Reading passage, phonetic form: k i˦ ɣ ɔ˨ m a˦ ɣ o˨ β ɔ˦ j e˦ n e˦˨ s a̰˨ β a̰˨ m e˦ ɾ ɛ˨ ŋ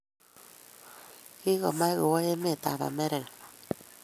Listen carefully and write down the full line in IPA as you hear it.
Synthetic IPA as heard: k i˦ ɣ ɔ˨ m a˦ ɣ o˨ w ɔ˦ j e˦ m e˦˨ t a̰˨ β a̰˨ m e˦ ɾ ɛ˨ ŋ

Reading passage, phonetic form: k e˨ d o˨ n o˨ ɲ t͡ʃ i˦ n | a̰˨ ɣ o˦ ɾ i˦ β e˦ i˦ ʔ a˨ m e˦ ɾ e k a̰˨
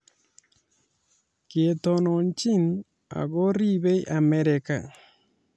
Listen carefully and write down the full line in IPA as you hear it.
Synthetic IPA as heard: k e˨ t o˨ n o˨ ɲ t͡ʃ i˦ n | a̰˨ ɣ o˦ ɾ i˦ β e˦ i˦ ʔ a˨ m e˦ ɾ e k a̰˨

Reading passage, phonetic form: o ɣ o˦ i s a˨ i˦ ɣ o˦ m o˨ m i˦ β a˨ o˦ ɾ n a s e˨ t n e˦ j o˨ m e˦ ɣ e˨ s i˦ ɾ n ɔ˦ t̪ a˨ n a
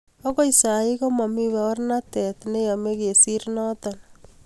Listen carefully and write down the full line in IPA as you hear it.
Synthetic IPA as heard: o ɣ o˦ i s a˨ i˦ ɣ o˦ m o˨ m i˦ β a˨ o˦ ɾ n a t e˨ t n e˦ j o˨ m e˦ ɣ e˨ s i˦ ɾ n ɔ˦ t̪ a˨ n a

